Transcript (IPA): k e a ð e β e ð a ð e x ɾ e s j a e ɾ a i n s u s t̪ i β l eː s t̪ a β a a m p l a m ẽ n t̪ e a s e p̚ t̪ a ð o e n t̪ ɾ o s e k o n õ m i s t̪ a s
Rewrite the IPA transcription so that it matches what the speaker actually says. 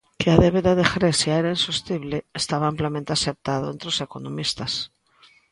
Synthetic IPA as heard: k e a ð e β e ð a ð e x ɾ e s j a e ɾ a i n s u s t̪ i β l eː s t̪ a β a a m p l a m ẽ n t̪ e a s e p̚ t̪ a ð o e n t̪ ɾ o s e k o n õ m i s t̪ a s

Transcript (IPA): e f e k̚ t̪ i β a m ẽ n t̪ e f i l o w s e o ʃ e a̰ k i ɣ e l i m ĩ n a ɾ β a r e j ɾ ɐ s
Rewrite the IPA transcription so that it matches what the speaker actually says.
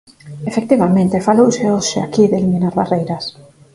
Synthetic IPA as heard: e f e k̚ t̪ i β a m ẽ n t̪ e f a l o w s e o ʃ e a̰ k i ð e l i m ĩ n a ɾ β a r e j ɾ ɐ s

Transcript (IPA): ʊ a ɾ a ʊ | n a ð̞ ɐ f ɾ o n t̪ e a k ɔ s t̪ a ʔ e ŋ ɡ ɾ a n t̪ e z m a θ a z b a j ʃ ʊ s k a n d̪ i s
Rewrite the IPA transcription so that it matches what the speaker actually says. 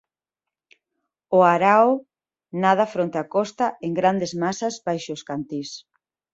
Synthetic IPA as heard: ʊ a ɾ a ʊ | n a ð̞ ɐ f ɾ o n t̪ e a k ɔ s t̪ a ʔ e ŋ ɡ ɾ a n d̪ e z m a s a z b a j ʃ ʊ s k a n t̪ i s

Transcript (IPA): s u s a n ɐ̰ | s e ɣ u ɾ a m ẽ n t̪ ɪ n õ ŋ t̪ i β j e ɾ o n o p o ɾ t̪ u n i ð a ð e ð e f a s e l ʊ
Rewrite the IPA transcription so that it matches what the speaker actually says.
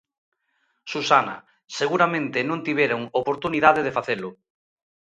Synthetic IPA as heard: s u s a n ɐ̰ | s e ɣ u ɾ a m ẽ n t̪ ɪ n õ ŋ t̪ i β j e ɾ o ŋ o p o ɾ t̪ u n i ð a ð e ð e f a θ e l ʊ

